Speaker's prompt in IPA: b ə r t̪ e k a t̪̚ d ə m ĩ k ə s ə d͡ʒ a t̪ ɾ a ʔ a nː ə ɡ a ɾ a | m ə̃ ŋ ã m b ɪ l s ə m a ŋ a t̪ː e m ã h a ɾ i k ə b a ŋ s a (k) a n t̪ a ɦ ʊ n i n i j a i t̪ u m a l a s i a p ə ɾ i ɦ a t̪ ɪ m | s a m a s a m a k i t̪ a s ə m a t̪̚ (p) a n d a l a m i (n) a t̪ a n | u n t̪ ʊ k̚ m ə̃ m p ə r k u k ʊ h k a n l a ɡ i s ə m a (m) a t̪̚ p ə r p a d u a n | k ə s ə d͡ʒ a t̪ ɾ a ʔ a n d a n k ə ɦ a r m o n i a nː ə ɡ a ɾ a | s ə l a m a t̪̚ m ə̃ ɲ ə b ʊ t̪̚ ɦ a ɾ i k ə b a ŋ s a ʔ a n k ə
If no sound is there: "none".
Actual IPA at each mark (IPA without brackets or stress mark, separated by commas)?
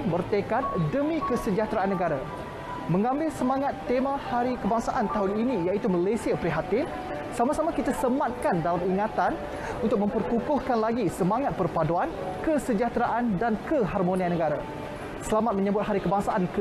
ʔ, k, ŋ, ŋ